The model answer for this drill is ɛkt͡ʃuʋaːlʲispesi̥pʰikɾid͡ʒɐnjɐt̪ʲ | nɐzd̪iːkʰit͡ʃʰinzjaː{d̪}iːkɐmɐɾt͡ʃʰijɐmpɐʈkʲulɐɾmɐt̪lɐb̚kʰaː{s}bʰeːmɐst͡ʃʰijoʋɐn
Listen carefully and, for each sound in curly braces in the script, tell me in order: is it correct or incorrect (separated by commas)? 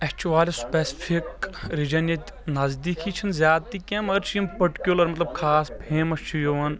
incorrect, correct